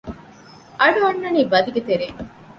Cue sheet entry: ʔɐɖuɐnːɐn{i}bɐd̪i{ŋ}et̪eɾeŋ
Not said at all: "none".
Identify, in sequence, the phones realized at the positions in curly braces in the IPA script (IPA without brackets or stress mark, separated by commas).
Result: iː, ɡ